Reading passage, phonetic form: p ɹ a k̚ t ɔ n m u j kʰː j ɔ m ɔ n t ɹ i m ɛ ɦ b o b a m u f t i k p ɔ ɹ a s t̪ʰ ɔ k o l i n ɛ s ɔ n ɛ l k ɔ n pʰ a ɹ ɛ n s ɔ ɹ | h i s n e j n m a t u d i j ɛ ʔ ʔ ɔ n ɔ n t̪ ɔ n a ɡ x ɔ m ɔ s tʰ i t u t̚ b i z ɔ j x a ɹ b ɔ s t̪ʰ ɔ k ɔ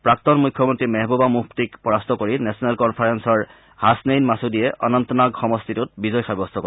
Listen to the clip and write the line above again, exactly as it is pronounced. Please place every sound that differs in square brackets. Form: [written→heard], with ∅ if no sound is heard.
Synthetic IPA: p ɹ a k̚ t ɔ n m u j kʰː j ɔ m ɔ n t ɹ i m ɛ ɦ b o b a m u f t i k p ɔ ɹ a s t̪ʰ ɔ k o [l→ɹ] i n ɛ s ɔ n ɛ l k ɔ n pʰ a ɹ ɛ n s ɔ ɹ | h [i→a] s n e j n m a [t→s] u d i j ɛ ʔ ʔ ɔ n ɔ n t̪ ɔ n a ɡ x ɔ m ɔ s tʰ i t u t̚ b i z ɔ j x a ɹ b ɔ s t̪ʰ ɔ k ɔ